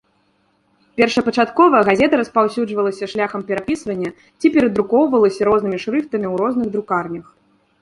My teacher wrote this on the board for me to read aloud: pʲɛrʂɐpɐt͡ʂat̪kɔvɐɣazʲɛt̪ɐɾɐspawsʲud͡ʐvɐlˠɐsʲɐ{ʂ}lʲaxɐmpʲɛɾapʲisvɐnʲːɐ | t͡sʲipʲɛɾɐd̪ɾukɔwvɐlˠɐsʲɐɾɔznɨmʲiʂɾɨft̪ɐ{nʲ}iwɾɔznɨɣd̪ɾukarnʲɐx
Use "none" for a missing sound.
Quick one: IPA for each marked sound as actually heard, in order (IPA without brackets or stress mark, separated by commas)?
ʂ, mʲ